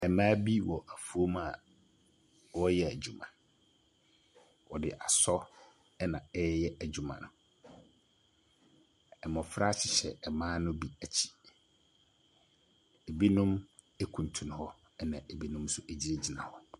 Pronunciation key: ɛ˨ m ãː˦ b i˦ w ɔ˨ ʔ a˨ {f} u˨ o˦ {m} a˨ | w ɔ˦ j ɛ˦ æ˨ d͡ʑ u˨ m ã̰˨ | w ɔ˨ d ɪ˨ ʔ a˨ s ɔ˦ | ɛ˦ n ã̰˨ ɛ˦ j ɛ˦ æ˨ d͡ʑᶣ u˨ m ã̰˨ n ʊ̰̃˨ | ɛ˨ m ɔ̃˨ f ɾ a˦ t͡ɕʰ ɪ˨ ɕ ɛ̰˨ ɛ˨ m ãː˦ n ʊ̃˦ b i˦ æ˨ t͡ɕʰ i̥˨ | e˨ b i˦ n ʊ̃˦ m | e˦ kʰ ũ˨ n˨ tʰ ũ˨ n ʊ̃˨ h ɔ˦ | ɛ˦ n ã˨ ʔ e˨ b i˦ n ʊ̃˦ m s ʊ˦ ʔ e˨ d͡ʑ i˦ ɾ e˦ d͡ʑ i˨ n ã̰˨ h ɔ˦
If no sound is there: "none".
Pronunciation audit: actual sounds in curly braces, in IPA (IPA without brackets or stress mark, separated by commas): f, m